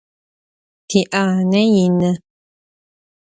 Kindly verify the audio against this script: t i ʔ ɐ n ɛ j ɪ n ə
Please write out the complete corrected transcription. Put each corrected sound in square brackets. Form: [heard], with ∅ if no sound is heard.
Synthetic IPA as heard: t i ʔ [a] n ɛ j [i] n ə